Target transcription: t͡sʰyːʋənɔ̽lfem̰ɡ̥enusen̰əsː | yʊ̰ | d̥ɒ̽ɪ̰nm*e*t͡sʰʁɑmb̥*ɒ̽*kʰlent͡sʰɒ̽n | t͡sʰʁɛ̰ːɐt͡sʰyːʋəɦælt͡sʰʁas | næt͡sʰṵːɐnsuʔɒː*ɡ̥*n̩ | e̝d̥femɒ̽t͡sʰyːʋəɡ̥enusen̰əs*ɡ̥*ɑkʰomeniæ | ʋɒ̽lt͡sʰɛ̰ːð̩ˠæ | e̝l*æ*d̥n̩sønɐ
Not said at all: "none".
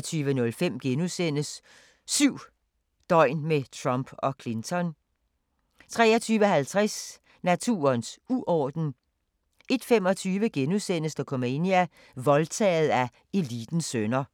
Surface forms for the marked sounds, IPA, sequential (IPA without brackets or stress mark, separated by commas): e, ɒ̽, d̥, d̥, i